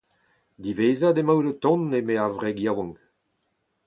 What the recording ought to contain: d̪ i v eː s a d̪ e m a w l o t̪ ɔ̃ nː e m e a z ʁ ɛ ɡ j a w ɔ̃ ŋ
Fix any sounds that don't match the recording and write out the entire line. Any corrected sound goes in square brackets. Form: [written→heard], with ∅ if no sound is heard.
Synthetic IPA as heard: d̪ i v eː [s→z] a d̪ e m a w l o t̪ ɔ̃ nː e m e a [z→v] ʁ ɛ ɡ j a w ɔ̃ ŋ